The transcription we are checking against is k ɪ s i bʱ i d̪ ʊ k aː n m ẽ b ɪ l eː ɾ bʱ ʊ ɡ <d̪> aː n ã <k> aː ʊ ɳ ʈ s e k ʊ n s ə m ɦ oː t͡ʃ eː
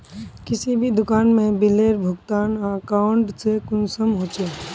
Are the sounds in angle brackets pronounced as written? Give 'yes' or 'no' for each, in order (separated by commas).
no, yes